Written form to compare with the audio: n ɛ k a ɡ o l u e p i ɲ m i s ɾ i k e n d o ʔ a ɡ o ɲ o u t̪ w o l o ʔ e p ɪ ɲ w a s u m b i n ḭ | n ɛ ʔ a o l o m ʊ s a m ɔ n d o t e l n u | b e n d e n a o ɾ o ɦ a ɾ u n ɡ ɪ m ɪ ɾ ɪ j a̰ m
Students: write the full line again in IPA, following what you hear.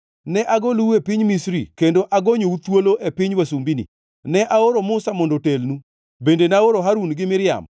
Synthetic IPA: n ɛ ʔ a ɡ o l u e p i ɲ m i s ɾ i k e n d o ʔ a ɡ o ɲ o u t̪ w o l o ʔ e p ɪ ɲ w a s u m b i n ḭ | n ɛ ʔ a o ɾ o m ʊ s a m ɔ n d o t e l n u | b e n d e n a o ɾ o ɦ a ɾ u n ɡ ɪ m ɪ ɾ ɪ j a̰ m